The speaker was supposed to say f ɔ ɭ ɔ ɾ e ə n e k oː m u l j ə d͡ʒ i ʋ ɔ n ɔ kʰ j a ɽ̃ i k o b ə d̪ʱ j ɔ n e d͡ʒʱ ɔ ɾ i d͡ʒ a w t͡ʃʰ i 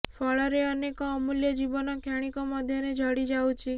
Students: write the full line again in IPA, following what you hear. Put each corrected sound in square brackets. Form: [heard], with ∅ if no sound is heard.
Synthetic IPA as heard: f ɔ ɭ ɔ ɾ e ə n e k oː m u l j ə d͡ʒ i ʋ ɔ n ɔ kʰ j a ɽ̃ i k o [m] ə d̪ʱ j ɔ n e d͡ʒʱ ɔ [ɽ] i d͡ʒ a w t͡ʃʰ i

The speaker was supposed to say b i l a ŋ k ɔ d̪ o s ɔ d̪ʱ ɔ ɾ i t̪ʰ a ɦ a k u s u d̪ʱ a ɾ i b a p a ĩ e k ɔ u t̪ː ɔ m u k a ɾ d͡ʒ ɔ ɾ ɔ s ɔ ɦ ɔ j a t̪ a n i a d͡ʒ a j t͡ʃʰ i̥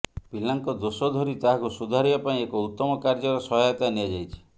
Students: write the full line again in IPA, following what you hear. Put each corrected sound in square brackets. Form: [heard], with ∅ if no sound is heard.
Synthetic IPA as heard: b i l a ŋ k ɔ d̪ o s ɔ d̪ʱ ɔ ɾ i [t̪] a ɦ a k u s u d̪ʱ a ɾ i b a p a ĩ e k ɔ u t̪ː ɔ m [ɔ] k a ɾ d͡ʒ ɔ ɾ ɔ s ɔ ɦ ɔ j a t̪ a n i a d͡ʒ a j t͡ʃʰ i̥

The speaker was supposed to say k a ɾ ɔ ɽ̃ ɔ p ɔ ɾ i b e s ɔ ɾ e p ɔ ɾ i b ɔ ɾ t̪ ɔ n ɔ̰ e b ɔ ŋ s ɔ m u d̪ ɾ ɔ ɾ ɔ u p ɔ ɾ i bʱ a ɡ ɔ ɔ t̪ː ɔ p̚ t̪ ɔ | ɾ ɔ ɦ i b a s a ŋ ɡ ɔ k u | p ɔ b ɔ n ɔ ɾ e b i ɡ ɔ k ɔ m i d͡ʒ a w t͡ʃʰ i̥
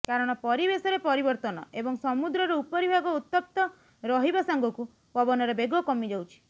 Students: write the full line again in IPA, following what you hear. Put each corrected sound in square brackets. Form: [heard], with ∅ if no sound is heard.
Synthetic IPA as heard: k a ɾ ɔ ɽ̃ ɔ p ɔ ɾ i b e s ɔ ɾ e p ɔ ɾ i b ɔ ɾ t̪ ɔ n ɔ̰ e b ɔ ŋ s ɔ m u d̪ ɾ ɔ ɾ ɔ u p ɔ ɾ i bʱ a ɡ ɔ [u] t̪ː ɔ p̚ t̪ ɔ | ɾ ɔ ɦ i b a s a ŋ ɡ ɔ k u | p ɔ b ɔ n ɔ ɾ e b [e] ɡ ɔ k ɔ m i d͡ʒ a w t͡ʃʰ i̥

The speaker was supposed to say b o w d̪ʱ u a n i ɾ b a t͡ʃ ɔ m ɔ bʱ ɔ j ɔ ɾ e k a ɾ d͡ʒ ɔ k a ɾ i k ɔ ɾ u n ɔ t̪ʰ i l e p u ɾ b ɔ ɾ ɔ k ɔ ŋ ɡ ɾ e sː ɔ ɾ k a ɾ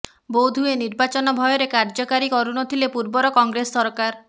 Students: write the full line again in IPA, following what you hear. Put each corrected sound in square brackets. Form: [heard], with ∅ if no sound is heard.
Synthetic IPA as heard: b o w d̪ʱ u [e] n i ɾ b a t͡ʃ ɔ [n] ɔ bʱ ɔ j ɔ ɾ e k a ɾ d͡ʒ ɔ k a ɾ i k ɔ ɾ u n ɔ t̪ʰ i l e p u ɾ b ɔ ɾ ɔ k ɔ ŋ ɡ ɾ e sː ɔ ɾ k a ɾ

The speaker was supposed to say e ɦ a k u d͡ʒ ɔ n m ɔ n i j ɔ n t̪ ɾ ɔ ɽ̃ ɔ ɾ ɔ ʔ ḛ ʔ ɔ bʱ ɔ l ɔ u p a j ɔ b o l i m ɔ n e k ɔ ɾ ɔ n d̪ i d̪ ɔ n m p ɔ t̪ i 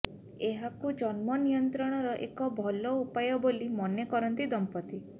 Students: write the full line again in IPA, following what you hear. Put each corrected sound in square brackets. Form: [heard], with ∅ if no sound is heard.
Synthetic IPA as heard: e ɦ a k u d͡ʒ ɔ n m ɔ n i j ɔ n t̪ ɾ ɔ ɽ̃ ɔ ɾ ɔ ʔ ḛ [k] ɔ bʱ ɔ l ɔ u p a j ɔ b o l i m ɔ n e k ɔ ɾ ɔ n [t̪] i d̪ ɔ [∅] m p ɔ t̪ i

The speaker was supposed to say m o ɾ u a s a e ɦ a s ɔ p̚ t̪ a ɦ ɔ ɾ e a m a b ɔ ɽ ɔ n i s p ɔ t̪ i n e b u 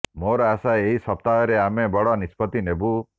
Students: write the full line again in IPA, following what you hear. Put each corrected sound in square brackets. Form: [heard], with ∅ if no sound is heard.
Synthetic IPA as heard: m o ɾ [ɔ] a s a e ɦ [i] s ɔ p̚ t̪ a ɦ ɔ ɾ e a m [e] b ɔ ɽ ɔ n i s p ɔ t̪ i n e b u

